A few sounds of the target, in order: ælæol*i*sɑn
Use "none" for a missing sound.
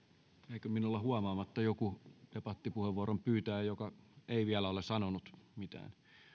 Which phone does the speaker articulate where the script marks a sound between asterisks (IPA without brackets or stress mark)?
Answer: e